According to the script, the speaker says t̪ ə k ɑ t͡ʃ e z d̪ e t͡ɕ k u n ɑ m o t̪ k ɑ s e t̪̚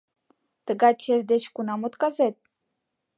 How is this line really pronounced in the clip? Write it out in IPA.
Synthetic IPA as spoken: t̪ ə ɡ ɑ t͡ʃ e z d̪ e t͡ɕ k u n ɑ m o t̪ k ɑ z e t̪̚